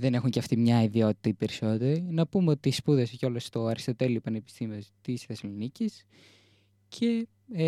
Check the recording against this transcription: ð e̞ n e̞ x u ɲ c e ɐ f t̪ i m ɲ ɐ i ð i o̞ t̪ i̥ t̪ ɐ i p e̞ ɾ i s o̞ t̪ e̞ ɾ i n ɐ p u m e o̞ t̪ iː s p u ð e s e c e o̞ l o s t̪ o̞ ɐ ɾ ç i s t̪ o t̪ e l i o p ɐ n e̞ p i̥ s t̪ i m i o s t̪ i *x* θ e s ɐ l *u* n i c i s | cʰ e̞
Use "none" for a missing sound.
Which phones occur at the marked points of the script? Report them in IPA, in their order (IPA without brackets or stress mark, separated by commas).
s, o